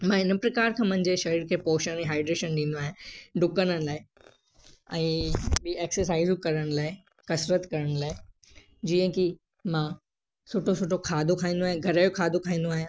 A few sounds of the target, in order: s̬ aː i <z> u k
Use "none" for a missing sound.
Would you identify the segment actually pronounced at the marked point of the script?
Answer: z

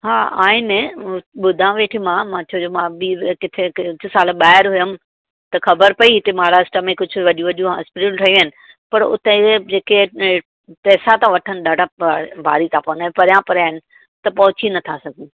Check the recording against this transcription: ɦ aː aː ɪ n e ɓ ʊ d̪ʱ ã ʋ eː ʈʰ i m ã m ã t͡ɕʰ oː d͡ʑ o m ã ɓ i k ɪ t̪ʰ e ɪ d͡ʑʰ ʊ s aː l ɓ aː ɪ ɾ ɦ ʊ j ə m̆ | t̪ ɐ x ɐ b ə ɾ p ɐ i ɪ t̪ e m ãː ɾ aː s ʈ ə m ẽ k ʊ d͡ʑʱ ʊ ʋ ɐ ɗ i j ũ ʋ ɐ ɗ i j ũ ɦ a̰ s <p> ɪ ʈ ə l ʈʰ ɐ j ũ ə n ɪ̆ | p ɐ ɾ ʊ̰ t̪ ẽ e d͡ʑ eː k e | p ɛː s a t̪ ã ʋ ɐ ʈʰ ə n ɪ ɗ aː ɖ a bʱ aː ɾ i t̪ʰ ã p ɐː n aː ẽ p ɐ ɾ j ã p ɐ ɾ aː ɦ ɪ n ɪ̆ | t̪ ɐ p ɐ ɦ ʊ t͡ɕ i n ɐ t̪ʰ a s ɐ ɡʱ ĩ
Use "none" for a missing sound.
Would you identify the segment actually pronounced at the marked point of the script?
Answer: p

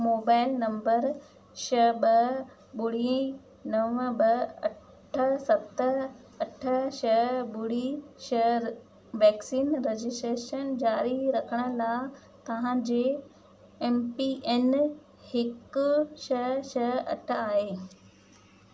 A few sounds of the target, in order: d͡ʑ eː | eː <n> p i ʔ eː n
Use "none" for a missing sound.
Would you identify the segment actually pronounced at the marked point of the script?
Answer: m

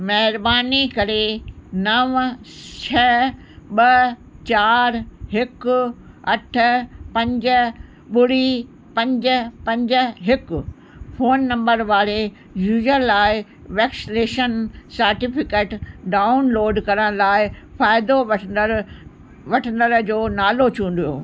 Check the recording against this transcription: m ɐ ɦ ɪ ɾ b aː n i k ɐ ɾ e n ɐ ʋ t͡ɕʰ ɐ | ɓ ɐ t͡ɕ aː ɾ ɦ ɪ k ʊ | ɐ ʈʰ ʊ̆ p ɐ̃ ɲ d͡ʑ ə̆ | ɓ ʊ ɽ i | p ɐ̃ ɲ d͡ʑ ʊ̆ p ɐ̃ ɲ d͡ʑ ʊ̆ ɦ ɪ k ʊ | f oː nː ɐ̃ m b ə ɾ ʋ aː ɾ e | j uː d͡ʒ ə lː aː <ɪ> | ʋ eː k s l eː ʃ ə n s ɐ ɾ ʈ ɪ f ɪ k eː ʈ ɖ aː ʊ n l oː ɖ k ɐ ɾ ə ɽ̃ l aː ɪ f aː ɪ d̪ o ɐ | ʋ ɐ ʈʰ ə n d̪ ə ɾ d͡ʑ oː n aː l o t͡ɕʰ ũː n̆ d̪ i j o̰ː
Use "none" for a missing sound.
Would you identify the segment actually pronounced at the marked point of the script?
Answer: ɪ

